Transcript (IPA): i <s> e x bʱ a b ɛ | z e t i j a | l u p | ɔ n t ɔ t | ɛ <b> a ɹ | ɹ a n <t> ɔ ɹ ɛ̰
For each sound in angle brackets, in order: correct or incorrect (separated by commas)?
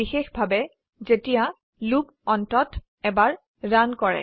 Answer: incorrect, correct, incorrect